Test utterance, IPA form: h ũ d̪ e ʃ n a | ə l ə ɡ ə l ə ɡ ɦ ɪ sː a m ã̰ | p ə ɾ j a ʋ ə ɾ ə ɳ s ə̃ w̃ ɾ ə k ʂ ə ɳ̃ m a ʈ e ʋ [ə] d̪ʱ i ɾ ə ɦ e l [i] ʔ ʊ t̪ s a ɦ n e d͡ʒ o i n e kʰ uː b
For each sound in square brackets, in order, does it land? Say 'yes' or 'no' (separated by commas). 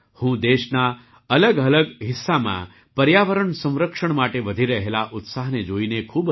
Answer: yes, no